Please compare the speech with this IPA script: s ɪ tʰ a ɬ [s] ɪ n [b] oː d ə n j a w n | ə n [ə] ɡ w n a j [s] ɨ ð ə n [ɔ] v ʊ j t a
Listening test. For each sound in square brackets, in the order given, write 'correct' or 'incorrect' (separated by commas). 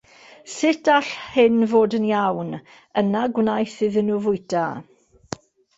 incorrect, incorrect, incorrect, incorrect, incorrect